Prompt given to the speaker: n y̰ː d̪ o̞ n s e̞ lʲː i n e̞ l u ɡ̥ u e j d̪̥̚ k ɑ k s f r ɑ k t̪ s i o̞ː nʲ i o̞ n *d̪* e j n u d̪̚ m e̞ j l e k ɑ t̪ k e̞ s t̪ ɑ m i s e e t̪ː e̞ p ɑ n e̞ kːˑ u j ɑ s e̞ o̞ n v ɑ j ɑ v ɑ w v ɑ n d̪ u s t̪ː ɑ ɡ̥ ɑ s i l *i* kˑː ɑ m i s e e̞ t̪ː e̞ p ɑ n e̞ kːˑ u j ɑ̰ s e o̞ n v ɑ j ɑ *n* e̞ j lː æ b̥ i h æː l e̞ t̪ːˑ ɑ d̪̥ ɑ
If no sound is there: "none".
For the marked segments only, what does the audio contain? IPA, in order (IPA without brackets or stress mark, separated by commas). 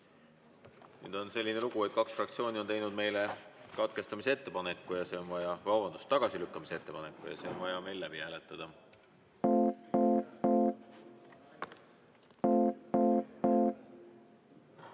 t̪, y, m